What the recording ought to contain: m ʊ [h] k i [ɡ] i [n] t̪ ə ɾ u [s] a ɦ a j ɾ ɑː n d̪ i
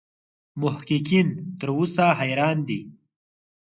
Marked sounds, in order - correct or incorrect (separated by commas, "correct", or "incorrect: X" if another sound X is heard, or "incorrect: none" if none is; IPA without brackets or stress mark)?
correct, incorrect: k, correct, correct